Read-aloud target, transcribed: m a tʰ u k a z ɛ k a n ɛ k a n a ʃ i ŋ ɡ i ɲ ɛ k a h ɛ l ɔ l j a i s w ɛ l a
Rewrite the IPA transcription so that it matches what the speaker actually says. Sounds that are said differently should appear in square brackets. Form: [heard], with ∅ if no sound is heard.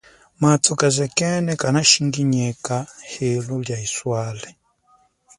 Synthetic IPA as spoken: m a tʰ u k a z ɛ k [ɛ] n ɛ k a n a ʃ i ŋ ɡ i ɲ ɛ k a h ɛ l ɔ l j a i s w [a] l [ɛ]